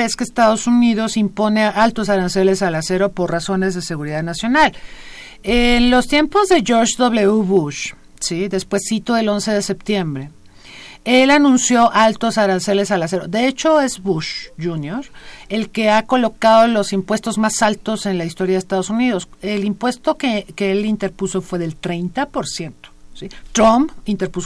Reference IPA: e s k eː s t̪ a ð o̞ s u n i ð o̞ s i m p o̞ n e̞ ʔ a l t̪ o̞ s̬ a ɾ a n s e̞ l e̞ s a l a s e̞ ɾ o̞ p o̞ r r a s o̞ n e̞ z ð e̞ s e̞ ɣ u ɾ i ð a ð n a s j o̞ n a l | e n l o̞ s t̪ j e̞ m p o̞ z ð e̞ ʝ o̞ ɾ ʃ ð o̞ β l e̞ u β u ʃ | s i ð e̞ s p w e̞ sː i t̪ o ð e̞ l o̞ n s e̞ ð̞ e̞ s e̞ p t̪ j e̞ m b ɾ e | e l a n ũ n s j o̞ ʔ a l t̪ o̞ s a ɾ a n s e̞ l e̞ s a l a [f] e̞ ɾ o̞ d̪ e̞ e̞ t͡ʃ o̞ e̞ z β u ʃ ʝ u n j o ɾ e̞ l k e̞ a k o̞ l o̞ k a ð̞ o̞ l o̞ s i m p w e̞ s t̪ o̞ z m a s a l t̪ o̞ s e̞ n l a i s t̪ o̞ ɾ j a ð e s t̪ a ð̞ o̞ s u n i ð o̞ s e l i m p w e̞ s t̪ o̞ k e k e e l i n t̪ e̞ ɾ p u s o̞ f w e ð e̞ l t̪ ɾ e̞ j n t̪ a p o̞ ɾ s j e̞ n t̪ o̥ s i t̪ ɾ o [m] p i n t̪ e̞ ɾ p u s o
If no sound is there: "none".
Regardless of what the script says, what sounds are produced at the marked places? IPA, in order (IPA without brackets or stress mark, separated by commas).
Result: s, m